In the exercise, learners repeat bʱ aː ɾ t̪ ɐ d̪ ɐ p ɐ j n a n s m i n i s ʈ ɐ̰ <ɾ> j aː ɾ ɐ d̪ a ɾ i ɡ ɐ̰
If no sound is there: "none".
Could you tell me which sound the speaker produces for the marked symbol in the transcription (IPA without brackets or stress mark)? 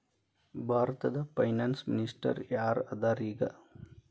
ɾ